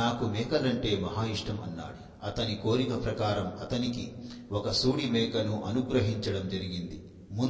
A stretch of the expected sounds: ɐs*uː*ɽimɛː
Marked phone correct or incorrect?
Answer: correct